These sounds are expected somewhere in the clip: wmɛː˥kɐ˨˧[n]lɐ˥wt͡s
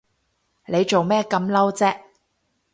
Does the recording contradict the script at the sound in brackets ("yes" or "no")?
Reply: yes